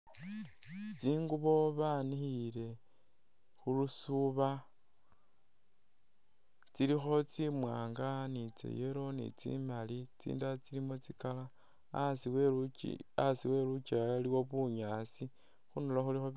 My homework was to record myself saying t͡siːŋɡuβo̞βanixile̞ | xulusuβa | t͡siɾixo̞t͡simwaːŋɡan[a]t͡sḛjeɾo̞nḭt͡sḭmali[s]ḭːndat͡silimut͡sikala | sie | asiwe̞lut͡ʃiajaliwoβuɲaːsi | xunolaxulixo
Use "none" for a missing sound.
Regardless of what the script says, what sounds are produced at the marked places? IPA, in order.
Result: i, t͡s

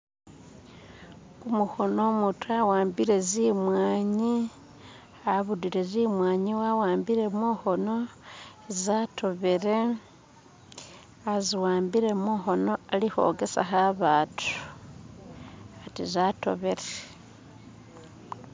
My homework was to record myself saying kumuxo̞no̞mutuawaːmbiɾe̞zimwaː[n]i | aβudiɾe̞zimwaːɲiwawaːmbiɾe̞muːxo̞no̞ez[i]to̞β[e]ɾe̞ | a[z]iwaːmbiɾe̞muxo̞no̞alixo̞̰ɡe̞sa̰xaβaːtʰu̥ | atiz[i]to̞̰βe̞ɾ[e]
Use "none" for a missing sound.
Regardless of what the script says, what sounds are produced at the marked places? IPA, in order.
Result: ɲ, a, e, z, a, e

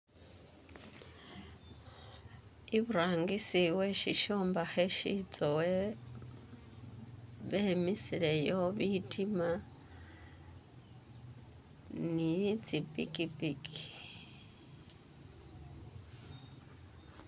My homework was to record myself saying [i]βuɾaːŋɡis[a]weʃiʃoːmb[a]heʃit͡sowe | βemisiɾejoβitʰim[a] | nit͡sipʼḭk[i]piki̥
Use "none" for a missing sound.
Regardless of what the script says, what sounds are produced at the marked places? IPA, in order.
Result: i, i, a, a, i

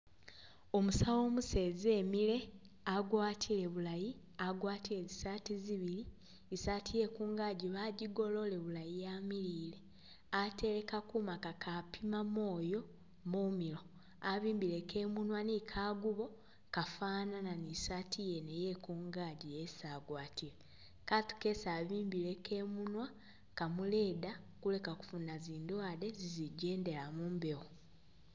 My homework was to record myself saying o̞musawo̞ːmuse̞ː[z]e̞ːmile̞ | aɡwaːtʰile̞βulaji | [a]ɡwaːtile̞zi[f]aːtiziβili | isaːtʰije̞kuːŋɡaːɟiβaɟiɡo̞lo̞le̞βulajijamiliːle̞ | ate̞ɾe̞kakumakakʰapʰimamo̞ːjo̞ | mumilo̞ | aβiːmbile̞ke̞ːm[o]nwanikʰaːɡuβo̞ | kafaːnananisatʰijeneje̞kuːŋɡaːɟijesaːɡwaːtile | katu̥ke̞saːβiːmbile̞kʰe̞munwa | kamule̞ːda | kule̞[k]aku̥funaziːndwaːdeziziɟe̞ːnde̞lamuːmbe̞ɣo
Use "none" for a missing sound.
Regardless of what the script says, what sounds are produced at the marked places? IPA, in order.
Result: z, a, s, u, k

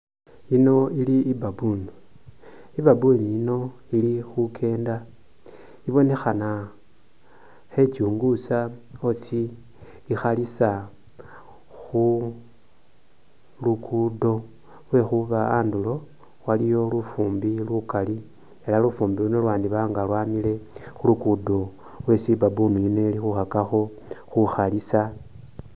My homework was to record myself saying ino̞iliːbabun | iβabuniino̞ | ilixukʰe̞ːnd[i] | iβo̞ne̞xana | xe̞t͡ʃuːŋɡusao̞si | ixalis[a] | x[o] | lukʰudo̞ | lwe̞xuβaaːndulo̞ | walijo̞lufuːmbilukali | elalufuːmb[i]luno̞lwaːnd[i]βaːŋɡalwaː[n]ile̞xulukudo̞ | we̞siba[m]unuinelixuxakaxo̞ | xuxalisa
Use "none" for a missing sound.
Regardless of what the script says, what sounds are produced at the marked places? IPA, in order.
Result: a, a, u, i, i, m, b

